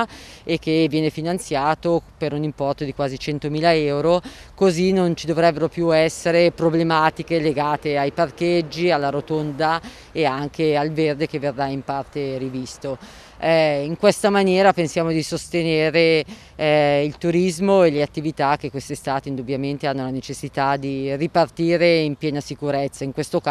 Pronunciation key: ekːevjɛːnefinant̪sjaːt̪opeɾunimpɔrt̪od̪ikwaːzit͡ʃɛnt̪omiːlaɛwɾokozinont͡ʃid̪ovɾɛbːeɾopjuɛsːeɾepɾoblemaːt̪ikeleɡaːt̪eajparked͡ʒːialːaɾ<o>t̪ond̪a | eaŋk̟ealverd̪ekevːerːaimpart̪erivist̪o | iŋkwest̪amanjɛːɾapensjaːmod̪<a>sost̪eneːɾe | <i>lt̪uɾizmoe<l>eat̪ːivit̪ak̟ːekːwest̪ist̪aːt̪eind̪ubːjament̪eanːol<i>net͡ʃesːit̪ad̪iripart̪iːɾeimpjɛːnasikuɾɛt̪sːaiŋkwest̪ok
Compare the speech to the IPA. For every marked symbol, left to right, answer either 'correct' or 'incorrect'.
correct, incorrect: i, correct, correct, incorrect: a

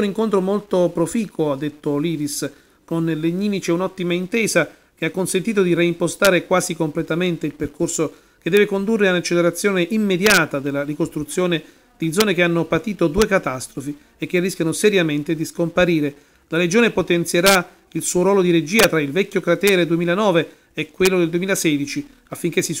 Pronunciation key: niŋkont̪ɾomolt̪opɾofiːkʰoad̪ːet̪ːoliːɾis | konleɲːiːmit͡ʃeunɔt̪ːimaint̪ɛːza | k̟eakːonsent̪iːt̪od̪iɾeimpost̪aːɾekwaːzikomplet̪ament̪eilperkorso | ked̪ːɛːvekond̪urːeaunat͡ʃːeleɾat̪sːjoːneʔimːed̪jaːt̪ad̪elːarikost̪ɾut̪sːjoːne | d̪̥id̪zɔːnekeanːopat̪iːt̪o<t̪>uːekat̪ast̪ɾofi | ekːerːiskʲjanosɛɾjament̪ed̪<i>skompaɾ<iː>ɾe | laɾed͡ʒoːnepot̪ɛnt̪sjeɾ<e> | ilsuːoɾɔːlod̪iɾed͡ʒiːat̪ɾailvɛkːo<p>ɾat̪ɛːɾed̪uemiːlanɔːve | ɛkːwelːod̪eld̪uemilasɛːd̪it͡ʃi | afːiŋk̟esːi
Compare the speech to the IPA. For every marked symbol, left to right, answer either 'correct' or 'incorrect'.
incorrect: d̪, correct, correct, incorrect: a, incorrect: k

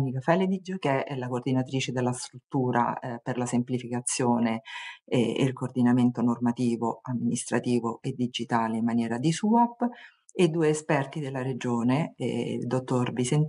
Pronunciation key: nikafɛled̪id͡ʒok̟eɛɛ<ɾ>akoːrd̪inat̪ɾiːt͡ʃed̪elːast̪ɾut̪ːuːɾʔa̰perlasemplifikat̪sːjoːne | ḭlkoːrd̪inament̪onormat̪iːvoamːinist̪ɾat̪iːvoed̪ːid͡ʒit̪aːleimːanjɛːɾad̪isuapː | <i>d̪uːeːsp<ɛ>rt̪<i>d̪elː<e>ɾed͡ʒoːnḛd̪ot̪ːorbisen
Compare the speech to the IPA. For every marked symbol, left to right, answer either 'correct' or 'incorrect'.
incorrect: l, incorrect: e, correct, correct, incorrect: a

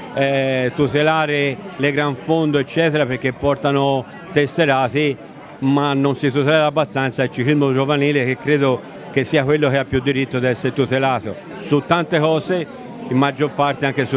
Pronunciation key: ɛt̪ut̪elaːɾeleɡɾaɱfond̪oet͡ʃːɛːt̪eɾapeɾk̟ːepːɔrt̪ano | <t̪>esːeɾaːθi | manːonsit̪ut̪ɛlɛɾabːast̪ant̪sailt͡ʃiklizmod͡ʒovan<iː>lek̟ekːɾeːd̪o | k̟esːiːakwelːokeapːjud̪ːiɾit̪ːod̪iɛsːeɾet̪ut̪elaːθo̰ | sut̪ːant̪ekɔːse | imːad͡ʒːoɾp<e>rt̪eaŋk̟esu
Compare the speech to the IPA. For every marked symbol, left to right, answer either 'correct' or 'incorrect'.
correct, correct, incorrect: a

